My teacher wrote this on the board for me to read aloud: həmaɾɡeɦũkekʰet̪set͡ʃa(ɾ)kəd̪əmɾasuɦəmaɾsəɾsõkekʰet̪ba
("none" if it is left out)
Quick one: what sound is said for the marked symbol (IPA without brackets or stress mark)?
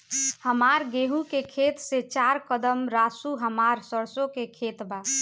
ɾ